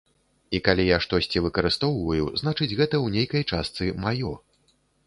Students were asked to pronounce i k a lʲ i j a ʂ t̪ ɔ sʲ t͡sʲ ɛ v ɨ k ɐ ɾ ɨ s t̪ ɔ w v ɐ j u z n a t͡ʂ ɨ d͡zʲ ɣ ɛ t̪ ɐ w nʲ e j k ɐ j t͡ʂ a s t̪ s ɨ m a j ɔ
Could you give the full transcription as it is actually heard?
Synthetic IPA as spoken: i k a lʲ i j a ʂ t̪ ɔ sʲ t͡sʲ i v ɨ k ɐ ɾ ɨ s t̪ ɔ w v ɐ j u z n a t͡ʂ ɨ d͡zʲ ɣ ɛ t̪ ɐ w nʲ e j k ɐ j t͡ʂ a s t̪ s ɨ m a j ɔ